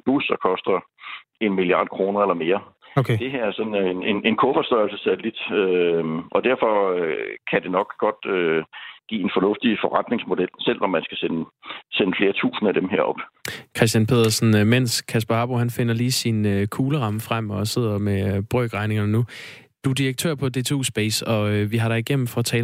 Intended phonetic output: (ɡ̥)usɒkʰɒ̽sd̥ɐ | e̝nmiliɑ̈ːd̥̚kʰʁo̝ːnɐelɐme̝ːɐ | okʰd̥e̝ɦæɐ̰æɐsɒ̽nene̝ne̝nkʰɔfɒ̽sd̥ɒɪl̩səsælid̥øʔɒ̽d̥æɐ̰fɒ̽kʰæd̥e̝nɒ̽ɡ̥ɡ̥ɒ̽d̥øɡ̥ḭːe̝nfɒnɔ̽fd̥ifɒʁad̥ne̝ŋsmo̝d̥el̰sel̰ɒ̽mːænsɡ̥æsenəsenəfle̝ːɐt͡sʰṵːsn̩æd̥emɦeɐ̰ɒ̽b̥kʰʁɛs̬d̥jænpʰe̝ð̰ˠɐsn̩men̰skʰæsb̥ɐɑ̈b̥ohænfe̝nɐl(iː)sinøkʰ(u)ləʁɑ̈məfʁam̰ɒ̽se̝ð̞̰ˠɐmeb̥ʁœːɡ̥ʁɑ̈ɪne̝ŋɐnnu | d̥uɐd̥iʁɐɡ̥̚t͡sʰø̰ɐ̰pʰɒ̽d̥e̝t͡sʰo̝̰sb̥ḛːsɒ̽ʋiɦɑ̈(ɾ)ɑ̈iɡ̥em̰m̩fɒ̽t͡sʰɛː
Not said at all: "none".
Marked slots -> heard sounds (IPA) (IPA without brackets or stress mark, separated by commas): b̥, iː, uː, ɾ